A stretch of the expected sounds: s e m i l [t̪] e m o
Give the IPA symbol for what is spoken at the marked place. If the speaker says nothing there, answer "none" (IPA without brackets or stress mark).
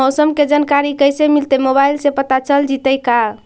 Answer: t̪